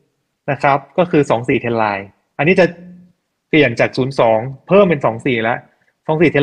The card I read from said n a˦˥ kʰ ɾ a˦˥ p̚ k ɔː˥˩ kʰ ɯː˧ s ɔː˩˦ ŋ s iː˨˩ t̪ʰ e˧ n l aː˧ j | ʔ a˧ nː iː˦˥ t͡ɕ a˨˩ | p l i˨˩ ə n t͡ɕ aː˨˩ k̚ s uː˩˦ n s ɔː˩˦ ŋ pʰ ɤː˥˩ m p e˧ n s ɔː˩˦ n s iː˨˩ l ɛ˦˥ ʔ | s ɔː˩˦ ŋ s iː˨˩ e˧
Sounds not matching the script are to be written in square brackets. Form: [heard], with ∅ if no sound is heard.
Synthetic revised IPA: n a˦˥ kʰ ɾ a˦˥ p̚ k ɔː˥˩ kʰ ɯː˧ s ɔː˩˦ ŋ s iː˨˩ t̪ʰ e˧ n l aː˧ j | ʔ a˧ nː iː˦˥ t͡ɕ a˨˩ | p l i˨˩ ə n t͡ɕ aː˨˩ k̚ s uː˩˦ n s ɔː˩˦ ŋ pʰ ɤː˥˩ m p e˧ n s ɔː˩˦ [ŋ] s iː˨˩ l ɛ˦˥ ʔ | s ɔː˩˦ ŋ s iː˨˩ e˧